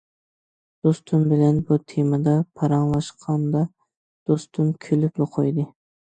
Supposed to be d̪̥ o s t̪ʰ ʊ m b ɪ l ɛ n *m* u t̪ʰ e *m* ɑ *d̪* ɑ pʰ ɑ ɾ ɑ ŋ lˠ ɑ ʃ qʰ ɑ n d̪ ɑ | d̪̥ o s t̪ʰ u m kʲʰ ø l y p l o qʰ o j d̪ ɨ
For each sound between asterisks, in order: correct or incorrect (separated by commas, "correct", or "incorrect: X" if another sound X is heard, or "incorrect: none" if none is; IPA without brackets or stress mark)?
incorrect: b, correct, correct